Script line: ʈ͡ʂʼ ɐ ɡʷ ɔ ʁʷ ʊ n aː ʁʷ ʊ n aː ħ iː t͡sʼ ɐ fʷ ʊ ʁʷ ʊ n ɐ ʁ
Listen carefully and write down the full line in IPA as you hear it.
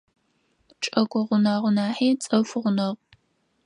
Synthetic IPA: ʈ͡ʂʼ ɐ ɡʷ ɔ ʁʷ ʊ n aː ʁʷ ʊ n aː ħ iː t͡sʼ ɐ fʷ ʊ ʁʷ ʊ n ɐ ʁ